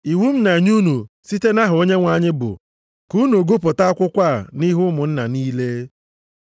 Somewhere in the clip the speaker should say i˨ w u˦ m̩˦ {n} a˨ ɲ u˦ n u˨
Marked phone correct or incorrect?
correct